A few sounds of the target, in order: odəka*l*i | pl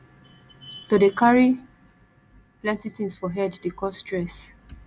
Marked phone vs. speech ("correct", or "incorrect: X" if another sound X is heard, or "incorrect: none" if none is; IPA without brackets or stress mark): incorrect: ɹ